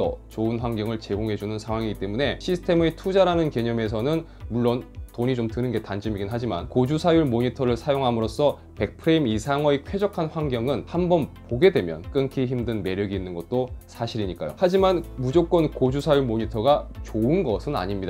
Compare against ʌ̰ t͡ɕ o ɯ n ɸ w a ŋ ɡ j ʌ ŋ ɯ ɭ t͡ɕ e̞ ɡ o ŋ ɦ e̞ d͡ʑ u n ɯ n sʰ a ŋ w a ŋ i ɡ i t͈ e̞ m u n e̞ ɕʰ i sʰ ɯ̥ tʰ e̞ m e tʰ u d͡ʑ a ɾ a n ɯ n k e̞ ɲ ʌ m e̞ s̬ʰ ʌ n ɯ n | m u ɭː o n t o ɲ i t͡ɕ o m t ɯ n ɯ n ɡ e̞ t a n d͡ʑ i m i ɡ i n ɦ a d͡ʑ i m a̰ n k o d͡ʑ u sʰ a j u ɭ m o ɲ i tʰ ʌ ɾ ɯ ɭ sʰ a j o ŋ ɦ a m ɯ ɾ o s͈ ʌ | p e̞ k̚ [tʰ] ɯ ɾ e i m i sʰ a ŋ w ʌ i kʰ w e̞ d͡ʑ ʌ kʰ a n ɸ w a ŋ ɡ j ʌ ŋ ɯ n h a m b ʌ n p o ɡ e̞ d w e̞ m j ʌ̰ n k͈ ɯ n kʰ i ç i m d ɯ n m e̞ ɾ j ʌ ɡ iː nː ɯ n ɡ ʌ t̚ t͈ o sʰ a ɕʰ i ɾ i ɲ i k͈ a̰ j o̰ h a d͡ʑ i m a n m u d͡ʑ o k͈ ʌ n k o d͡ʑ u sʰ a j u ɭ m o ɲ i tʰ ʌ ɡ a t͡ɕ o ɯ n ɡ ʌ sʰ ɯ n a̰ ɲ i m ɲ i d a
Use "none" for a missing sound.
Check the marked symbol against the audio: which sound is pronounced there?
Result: pʰ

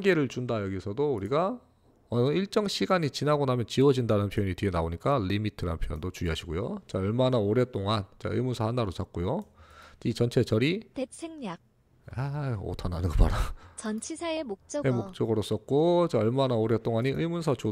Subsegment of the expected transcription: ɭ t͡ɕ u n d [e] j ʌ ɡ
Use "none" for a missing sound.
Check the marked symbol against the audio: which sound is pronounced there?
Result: a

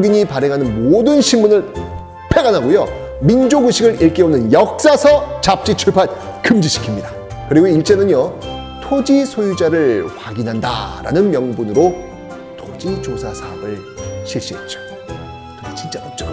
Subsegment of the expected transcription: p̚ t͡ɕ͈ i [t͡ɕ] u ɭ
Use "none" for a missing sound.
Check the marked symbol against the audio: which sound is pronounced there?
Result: t͡ɕʰ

